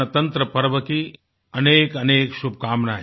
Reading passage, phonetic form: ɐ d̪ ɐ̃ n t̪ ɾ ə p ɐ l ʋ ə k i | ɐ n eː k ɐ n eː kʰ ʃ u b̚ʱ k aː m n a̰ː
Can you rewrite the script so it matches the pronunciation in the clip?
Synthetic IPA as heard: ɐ t̪ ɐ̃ n t̪ ɾ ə p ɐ ɾ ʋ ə k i | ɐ n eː k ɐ n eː k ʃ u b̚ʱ k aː m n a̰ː